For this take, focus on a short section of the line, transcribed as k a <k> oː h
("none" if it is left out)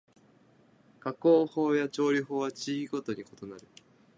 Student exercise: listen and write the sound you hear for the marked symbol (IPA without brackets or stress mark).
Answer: k